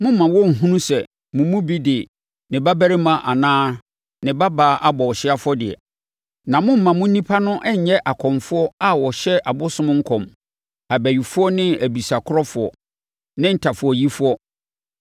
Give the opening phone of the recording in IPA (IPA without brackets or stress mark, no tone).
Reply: m